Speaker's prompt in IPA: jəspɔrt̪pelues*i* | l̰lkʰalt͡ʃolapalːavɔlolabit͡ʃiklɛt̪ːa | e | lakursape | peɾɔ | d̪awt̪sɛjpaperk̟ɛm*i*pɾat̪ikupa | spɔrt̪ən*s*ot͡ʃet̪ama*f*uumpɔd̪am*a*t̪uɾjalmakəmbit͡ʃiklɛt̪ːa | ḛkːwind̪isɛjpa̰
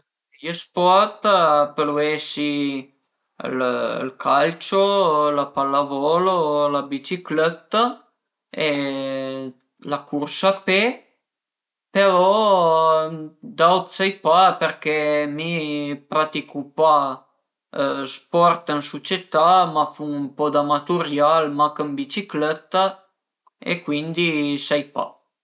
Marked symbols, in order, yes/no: yes, yes, yes, yes, yes

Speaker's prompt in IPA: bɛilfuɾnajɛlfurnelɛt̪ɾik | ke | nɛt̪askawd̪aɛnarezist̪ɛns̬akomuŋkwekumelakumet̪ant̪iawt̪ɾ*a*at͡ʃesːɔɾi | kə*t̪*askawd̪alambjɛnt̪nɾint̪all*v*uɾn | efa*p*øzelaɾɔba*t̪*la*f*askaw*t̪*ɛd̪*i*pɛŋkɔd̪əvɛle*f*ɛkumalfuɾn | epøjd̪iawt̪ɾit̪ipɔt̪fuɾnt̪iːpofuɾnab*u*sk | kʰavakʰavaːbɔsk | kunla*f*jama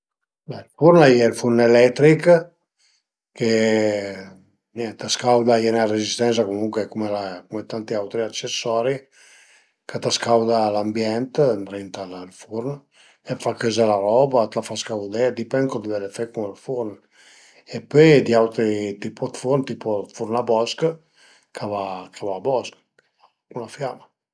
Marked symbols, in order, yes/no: no, yes, no, no, yes, yes, no, yes, yes, no, yes

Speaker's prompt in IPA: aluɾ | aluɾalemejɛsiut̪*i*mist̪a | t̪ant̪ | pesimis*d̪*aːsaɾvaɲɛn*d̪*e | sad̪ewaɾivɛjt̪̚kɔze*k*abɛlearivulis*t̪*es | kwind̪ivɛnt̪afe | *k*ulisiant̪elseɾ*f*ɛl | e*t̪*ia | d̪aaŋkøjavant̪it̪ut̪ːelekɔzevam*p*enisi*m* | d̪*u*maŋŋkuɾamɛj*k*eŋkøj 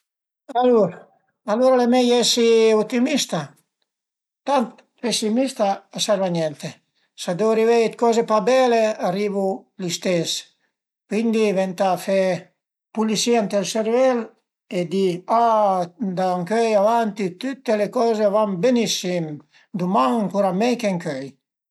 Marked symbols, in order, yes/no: yes, no, no, no, yes, no, no, no, no, yes, yes, yes

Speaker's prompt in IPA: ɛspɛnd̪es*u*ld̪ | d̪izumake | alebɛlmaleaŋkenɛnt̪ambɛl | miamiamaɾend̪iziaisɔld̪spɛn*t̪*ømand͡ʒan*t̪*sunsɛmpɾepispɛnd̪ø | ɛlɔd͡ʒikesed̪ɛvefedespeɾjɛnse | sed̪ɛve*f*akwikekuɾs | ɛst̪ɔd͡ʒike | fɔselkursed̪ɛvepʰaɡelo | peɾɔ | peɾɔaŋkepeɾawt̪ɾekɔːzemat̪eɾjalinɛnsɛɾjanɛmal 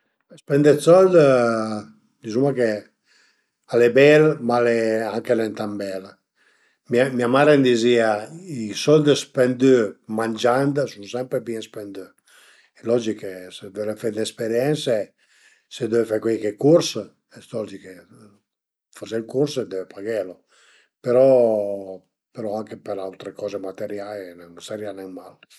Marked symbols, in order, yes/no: no, no, no, yes

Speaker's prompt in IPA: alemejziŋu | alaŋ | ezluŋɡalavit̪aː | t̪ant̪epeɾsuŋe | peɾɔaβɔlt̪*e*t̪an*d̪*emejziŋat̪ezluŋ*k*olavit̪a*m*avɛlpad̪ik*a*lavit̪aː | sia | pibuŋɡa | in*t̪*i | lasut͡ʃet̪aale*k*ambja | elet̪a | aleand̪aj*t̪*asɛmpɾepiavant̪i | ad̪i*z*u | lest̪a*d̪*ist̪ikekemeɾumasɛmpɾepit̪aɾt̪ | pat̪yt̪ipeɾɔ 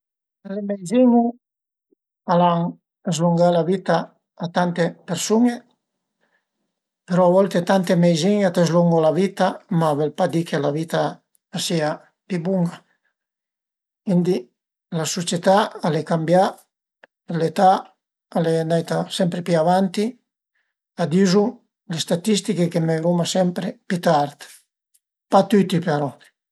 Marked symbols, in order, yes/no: yes, no, no, yes, no, no, yes, yes, yes, no

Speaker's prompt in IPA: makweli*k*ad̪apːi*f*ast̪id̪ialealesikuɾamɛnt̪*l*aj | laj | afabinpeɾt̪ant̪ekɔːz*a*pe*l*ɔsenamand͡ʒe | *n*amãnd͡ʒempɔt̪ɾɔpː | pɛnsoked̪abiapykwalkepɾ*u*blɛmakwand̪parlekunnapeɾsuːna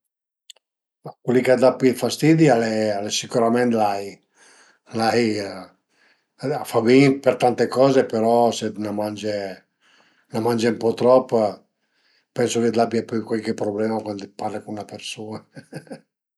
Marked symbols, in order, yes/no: yes, yes, yes, no, no, yes, no

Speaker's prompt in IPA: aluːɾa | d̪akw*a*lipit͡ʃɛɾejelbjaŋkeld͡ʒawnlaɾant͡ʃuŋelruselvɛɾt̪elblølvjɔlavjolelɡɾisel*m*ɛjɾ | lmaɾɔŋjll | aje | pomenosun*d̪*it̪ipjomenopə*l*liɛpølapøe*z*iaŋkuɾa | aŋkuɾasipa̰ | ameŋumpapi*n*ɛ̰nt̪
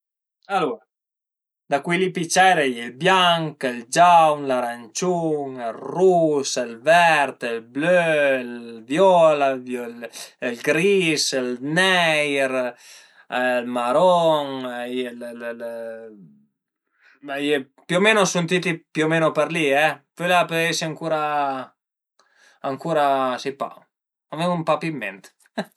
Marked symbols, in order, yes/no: no, no, no, no, no, no

